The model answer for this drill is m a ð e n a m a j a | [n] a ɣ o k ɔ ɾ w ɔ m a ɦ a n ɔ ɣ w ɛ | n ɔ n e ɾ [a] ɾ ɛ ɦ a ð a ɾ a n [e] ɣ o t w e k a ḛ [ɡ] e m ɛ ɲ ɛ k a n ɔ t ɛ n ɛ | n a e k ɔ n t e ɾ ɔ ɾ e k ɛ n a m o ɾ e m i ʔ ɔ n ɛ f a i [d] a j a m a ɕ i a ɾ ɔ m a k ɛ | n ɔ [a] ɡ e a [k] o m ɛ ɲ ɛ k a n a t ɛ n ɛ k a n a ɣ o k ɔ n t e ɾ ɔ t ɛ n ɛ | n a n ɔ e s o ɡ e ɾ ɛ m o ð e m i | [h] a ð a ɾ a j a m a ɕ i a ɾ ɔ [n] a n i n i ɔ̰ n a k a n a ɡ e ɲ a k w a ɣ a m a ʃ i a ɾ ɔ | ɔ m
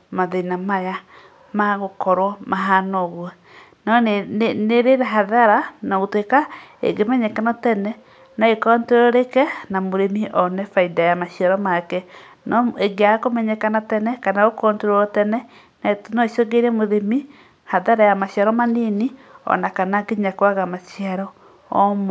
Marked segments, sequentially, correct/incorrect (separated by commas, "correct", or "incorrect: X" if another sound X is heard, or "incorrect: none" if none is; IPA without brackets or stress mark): incorrect: m, incorrect: e, incorrect: a, correct, correct, incorrect: e, correct, correct, incorrect: m